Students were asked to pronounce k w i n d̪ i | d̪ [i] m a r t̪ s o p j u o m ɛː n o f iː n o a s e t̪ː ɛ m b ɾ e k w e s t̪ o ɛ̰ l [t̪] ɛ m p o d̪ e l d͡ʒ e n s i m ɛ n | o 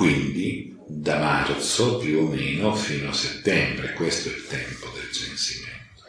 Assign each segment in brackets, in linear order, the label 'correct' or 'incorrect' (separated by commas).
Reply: incorrect, correct